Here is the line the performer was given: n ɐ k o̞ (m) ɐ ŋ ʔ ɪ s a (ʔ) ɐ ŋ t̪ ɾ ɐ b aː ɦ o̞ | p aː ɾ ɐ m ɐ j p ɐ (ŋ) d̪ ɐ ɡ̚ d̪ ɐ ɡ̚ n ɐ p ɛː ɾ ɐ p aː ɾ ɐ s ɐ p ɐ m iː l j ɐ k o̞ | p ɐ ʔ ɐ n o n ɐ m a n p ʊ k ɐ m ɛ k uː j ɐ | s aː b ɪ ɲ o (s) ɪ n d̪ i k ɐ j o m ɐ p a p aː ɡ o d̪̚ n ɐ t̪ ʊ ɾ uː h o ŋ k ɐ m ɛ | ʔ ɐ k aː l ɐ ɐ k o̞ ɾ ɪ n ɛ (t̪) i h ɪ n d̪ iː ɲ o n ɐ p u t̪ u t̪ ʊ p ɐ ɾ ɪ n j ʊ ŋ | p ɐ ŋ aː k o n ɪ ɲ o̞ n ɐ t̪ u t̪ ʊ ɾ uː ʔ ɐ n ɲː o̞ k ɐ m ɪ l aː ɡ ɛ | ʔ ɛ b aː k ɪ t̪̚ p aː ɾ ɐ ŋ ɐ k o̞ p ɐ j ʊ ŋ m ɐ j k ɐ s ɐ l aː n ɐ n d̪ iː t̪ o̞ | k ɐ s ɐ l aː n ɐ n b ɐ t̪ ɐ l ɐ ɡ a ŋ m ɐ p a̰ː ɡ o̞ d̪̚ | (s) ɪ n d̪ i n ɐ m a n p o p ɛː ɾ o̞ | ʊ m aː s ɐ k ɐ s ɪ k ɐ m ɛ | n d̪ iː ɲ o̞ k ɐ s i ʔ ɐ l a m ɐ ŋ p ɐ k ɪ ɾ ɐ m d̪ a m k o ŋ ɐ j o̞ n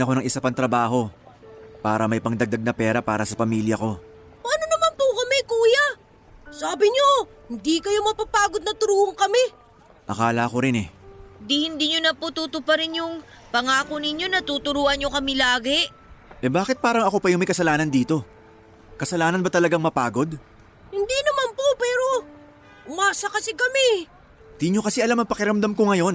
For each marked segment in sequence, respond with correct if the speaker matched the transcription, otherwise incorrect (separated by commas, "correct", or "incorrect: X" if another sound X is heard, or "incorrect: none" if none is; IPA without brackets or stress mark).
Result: incorrect: n, incorrect: p, correct, incorrect: h, incorrect: d̪, incorrect: h